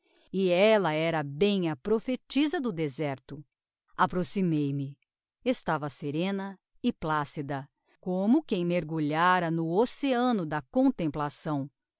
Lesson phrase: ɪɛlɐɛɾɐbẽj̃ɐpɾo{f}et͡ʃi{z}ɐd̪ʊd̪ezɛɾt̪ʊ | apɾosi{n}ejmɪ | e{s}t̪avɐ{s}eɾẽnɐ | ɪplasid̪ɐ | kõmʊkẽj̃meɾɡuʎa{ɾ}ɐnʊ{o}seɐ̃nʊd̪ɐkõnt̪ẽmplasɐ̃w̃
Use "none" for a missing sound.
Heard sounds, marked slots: f, z, m, s, s, ɾ, o

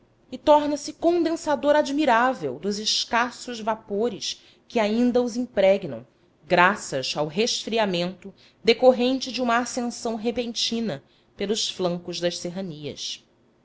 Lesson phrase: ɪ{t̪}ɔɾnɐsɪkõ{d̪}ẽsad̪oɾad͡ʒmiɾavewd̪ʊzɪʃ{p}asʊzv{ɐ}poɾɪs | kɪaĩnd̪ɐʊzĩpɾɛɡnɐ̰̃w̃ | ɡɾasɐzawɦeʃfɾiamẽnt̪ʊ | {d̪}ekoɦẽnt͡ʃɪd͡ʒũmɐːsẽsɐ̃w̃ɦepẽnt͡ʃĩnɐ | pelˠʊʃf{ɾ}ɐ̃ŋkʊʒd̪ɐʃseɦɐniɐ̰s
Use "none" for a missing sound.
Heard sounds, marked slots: t̪, d̪, k, a, d̪, l

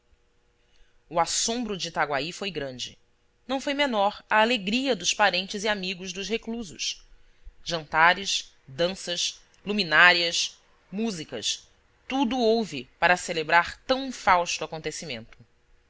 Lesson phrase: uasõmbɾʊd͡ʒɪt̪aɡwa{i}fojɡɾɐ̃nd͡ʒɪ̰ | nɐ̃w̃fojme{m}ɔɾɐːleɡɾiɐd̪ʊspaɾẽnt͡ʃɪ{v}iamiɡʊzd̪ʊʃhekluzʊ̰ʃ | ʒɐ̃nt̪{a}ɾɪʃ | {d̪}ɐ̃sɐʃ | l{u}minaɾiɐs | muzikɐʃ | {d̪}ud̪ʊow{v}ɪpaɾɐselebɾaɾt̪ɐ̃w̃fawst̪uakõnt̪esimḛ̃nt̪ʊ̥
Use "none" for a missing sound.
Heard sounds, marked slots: i, n, z, a, d̪, u, t̪, v

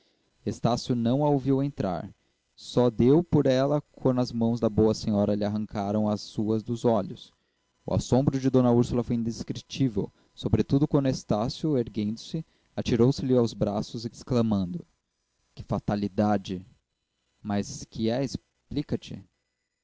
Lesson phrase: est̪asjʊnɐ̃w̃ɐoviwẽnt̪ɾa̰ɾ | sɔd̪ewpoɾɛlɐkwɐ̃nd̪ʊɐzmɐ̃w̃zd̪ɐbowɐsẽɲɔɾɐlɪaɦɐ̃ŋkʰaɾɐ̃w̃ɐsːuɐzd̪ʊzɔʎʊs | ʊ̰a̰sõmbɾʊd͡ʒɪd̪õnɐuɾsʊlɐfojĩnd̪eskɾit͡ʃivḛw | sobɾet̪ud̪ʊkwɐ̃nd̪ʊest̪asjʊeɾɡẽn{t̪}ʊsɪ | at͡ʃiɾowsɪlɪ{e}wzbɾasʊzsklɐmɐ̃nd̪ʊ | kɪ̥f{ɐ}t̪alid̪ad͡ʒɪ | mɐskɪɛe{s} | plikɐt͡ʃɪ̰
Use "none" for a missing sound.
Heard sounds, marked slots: d̪, a, a, s

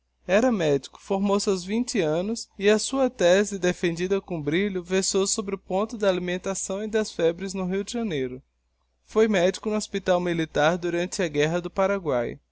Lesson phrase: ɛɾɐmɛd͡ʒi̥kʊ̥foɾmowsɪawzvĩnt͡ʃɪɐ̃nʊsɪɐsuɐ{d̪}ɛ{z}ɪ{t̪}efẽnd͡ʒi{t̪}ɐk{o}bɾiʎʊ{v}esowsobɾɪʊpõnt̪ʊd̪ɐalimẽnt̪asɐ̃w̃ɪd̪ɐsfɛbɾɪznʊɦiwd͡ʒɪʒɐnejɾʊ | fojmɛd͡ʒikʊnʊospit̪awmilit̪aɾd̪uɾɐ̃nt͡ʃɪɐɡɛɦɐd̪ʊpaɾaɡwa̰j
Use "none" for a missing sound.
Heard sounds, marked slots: t̪, z, d̪, d̪, õ, v

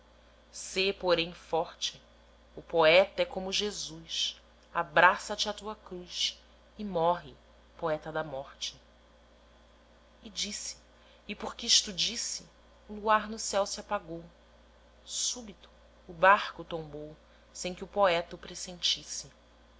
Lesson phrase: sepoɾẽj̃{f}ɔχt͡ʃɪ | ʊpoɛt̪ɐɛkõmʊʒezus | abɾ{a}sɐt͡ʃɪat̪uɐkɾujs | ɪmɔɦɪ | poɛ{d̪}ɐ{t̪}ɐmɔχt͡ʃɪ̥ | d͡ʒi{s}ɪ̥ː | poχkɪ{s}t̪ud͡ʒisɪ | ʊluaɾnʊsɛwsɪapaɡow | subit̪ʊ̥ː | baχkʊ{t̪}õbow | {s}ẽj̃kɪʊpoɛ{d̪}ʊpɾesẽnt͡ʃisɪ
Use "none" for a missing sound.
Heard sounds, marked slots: f, a, t̪, d̪, s, ʃ, t̪, s, t̪

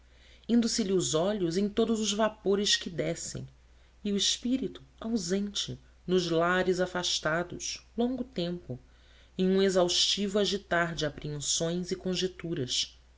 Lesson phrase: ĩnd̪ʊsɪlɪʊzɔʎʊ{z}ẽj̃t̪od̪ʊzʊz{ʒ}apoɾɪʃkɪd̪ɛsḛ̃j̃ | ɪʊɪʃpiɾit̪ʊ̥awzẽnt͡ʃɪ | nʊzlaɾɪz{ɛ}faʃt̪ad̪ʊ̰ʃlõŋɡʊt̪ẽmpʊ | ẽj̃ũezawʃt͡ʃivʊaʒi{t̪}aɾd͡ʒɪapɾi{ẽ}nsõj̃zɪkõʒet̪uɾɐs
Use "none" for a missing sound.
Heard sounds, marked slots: z, v, a, t̪, ẽ

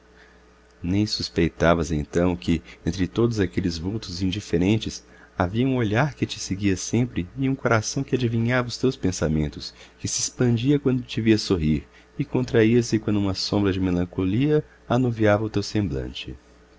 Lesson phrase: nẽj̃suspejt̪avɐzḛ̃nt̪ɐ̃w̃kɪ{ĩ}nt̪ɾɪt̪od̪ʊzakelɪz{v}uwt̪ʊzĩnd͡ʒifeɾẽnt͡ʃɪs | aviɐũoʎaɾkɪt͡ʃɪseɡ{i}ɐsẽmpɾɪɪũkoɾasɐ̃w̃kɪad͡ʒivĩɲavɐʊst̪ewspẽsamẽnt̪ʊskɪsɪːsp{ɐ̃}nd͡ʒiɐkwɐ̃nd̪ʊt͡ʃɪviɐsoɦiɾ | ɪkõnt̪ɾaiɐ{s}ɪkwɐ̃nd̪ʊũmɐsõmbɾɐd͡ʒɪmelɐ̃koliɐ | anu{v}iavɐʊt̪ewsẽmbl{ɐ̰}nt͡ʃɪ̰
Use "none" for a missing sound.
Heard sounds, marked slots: ẽ, v, i, ɐ̃, s, v, ɐ̰̃

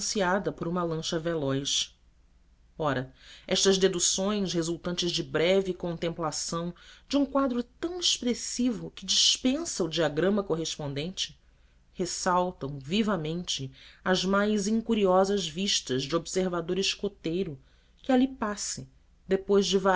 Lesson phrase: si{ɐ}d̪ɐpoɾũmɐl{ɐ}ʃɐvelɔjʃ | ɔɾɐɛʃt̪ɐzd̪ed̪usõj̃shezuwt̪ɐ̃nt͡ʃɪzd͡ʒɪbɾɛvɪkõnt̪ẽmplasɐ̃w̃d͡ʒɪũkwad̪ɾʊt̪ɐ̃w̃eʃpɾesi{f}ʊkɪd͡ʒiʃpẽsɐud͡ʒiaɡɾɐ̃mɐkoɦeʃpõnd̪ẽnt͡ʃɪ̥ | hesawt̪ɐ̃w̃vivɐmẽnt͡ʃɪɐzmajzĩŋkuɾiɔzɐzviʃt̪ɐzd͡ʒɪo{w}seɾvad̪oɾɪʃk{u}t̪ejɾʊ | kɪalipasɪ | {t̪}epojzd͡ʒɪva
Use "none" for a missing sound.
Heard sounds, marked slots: a, ɐ̃, v, b, o, d̪

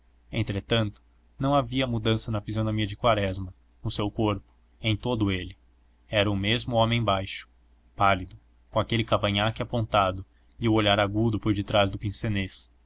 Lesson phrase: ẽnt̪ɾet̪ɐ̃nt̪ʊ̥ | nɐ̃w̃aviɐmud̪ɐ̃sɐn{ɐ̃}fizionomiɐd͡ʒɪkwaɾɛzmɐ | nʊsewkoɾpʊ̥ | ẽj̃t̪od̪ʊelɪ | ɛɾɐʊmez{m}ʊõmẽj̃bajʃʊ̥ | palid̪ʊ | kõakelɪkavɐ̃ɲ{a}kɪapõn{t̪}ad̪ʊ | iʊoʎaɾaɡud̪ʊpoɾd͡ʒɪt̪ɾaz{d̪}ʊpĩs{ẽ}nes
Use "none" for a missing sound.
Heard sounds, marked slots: ɐ, m, a, t̪, d̪, e

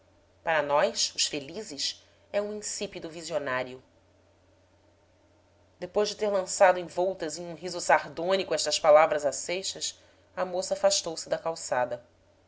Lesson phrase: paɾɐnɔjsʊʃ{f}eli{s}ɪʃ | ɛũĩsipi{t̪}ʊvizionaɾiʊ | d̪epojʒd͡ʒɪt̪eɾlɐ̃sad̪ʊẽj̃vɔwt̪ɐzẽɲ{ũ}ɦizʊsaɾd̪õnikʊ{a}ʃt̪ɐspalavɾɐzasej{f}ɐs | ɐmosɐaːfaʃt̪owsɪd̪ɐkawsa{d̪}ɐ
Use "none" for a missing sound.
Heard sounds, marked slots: f, z, d̪, ũ, ɛ, ʃ, d̪

